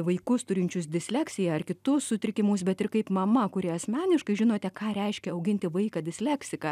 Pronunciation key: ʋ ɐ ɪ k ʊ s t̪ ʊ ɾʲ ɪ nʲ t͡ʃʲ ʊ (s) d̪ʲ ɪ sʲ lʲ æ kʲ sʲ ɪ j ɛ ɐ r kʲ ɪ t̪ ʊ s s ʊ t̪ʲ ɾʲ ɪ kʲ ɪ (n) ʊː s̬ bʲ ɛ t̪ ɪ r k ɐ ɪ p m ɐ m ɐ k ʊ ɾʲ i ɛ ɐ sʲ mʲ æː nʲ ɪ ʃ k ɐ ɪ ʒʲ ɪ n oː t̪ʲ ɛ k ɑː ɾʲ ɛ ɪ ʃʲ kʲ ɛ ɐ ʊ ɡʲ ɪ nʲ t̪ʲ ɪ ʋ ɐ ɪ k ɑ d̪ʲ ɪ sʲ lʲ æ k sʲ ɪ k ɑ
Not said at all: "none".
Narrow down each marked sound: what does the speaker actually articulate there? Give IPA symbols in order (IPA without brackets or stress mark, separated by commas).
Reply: s, m